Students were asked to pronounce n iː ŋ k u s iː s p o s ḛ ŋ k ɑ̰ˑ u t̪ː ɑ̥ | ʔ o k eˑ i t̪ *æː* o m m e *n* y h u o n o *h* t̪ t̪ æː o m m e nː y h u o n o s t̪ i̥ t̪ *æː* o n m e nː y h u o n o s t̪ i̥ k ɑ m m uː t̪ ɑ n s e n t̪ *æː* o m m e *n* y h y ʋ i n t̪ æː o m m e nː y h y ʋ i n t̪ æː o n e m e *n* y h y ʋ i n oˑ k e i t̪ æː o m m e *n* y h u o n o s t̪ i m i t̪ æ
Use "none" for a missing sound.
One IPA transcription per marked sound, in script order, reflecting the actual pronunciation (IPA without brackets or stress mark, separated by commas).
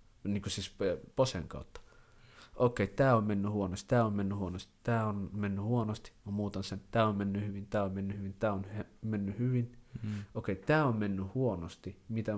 æː, nː, s, æː, æː, nː, nː, nː